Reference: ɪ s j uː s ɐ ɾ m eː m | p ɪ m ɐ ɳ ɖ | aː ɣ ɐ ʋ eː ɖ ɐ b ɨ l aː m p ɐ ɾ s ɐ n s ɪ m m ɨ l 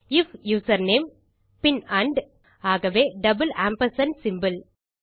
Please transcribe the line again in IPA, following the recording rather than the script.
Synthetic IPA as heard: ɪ f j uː s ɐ ɾ n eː m | p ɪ n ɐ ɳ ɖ | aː ɣ ɐ ʋ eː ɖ ɐ b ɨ l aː m p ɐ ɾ s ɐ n s ɪ m b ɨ l